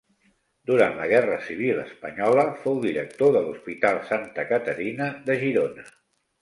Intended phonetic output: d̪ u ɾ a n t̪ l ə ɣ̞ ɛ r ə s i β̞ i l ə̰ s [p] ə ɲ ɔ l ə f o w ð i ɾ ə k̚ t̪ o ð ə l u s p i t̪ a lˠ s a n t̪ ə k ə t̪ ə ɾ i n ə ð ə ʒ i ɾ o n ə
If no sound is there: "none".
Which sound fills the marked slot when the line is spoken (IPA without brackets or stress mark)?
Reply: p